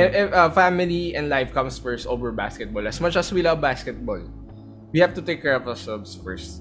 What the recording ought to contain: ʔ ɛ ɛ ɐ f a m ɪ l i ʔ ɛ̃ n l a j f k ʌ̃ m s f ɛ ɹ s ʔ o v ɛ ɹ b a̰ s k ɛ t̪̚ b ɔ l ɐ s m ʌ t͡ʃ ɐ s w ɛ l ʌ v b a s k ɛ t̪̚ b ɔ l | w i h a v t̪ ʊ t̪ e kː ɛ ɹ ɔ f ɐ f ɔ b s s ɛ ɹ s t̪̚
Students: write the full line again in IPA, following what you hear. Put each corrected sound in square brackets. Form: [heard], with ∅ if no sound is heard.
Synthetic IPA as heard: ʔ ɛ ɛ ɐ f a m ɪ l i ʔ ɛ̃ n l a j f k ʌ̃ m s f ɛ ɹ s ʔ o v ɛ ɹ b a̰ s k ɛ t̪̚ b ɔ l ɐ s m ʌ t͡ʃ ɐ s w [i] l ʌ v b a s k ɛ t̪̚ b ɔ l | w i h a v t̪ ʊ t̪ e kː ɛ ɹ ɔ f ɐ [s] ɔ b s [f] ɛ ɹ s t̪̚